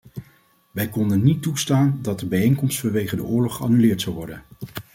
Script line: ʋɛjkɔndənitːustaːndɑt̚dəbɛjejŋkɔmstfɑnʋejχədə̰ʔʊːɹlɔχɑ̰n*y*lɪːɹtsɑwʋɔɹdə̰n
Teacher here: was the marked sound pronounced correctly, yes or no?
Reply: yes